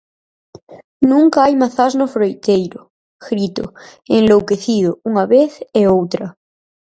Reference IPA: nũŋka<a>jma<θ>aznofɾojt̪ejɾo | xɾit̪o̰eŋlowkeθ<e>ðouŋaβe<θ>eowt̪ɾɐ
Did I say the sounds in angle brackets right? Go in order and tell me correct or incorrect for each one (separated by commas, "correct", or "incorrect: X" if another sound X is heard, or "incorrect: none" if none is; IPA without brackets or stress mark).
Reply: correct, correct, incorrect: i, correct